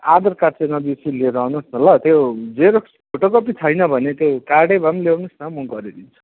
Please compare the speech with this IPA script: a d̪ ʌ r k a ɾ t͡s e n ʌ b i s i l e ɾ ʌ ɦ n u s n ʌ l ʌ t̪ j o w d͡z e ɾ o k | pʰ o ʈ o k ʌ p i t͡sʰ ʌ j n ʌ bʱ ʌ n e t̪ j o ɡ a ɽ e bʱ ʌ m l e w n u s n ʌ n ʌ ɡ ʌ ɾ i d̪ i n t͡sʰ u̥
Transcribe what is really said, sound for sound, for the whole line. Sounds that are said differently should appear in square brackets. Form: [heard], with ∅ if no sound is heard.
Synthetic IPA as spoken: a d̪ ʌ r k a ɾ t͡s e n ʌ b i s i l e ɾ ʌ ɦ n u s n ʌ l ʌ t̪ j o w d͡z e ɾ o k | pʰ o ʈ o k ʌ p i t͡sʰ ʌ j n ʌ bʱ ʌ n e t̪ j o [k] a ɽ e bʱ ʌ m l e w n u s n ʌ [m] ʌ ɡ ʌ ɾ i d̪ i n t͡sʰ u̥